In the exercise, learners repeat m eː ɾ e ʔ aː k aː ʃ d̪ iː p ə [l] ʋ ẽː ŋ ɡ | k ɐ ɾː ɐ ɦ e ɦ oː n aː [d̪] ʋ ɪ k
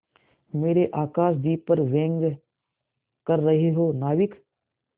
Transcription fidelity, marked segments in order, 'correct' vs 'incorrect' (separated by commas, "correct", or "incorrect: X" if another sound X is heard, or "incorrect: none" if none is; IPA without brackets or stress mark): incorrect: ɾ, incorrect: none